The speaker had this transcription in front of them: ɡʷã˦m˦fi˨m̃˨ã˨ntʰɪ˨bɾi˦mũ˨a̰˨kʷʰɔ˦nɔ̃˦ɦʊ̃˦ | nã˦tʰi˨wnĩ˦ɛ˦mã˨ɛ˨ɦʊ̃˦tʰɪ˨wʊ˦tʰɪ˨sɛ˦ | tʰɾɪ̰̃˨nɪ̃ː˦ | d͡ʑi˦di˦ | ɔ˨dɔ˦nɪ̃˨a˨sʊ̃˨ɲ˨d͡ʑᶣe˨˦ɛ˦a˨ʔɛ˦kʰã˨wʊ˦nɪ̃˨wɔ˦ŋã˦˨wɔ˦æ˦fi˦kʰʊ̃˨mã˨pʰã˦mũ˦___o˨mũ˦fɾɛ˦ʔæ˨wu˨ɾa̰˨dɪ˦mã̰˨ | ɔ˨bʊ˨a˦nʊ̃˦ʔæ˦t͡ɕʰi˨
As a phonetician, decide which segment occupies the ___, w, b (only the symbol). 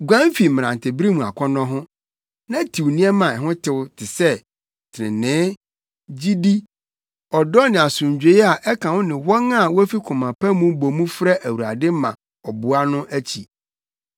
b